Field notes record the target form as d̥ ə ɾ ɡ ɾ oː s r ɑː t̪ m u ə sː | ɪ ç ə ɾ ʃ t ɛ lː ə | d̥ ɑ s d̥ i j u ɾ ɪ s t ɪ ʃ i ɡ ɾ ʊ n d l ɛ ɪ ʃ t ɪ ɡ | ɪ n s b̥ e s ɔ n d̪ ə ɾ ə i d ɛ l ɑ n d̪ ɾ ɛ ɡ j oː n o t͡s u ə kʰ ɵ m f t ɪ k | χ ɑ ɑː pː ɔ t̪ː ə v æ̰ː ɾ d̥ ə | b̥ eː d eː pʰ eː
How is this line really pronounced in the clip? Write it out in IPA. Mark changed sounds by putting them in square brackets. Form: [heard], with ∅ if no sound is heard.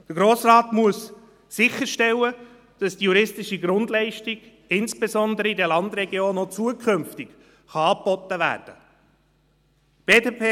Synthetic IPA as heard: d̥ ə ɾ ɡ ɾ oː s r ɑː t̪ m u ə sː | ɪ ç ə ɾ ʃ t ɛ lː ə | d̥ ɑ s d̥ i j u ɾ ɪ s t ɪ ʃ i ɡ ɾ ʊ n d l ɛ ɪ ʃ t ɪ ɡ | ɪ n s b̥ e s ɔ n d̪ ə ɾ ə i d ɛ l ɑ n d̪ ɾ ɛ ɡ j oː n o t͡s u ə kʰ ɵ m f t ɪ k | χ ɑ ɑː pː ɔ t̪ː ə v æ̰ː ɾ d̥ ə | b̥ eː d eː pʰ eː